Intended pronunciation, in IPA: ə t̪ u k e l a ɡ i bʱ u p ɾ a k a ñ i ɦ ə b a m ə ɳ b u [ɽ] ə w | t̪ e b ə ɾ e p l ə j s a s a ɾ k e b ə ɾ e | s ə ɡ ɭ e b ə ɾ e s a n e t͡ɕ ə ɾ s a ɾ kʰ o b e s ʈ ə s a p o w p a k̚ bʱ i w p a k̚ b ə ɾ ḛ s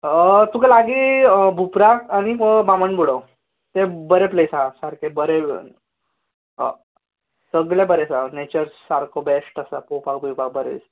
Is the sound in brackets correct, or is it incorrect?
correct